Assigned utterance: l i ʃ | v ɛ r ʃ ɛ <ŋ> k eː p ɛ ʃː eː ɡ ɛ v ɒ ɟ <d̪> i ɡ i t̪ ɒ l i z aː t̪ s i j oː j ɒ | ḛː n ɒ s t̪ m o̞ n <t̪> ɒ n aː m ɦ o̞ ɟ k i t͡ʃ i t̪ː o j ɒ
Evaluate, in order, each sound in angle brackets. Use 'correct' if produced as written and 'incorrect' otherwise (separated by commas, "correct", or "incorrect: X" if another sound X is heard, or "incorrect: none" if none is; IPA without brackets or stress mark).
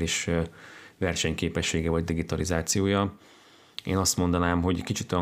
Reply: incorrect: ɲ, correct, incorrect: d̪